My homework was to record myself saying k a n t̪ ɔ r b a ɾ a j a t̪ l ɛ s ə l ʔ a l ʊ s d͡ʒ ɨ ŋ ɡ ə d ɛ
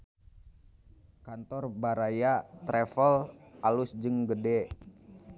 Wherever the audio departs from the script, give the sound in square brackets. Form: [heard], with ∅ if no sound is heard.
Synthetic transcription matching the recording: k a n t̪ ɔ r b a ɾ a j a t̪ [ɾ] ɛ [f] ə l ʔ a l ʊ s d͡ʒ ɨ ŋ ɡ ə d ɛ